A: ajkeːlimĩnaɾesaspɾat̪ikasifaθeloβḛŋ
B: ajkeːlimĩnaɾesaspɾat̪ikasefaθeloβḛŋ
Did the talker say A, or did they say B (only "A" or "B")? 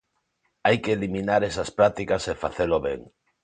B